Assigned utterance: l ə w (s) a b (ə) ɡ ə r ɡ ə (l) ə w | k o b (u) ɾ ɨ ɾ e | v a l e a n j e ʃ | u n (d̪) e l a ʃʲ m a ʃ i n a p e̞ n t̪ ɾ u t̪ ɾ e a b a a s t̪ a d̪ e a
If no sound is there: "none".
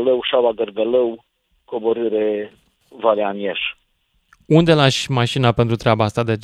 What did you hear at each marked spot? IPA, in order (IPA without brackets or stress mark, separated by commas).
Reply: ʃ, a, l, o, d̪